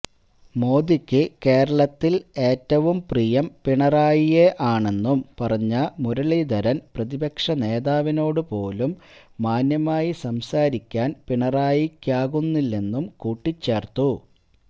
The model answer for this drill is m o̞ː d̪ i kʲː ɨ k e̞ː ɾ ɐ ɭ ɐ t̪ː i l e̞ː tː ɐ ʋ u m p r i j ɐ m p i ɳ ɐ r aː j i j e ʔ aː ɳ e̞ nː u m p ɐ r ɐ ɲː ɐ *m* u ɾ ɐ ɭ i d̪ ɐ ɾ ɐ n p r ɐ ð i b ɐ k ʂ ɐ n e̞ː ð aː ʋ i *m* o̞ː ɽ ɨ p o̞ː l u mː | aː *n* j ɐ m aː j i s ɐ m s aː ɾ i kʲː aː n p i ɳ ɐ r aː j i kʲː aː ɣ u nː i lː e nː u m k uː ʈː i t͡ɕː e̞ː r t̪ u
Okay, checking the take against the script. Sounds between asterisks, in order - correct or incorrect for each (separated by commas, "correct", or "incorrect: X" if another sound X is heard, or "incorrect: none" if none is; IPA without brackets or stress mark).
correct, incorrect: n, correct